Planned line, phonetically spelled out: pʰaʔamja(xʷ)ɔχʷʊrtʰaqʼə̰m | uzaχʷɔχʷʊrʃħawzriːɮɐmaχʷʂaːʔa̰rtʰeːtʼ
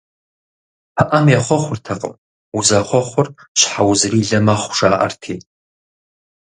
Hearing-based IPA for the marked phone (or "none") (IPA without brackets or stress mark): χʷ